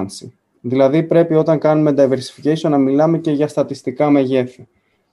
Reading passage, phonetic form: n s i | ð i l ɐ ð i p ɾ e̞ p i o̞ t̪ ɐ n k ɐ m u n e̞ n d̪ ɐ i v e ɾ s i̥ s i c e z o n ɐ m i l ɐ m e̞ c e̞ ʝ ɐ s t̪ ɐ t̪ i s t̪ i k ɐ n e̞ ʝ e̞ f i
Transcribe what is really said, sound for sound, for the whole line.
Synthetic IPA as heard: n s i | ð i l ɐ ð i p ɾ e̞ p i o̞ t̪ ɐ ŋ k ɐ n u m e̞ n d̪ ɐ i v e ɾ s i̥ f i c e s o n ɐ m i l ɐ m e̞ c e̞ ʝ ɐ s t̪ ɐ t̪ i s t̪ i k ɐ m e̞ ʝ e̞ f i